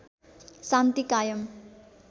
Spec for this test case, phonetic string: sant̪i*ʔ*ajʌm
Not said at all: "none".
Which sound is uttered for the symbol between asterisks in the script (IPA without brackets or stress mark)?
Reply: k